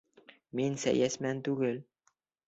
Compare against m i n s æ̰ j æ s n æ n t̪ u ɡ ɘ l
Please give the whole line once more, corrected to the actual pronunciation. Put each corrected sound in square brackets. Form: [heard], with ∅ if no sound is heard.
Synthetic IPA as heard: m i n s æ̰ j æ s [m] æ n t̪ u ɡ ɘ l